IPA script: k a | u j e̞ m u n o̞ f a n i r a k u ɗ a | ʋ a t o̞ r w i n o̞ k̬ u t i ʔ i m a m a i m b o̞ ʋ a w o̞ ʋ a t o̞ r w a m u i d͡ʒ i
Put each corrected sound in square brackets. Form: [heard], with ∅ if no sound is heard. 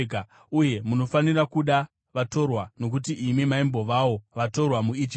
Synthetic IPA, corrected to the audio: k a | u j e̞ m u n o̞ f a n i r a k u ɗ a | ʋ a t o̞ r w [a] n o̞ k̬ u t i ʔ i m [i] m a i m b o̞ ʋ a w o̞ ʋ a t o̞ r w a m u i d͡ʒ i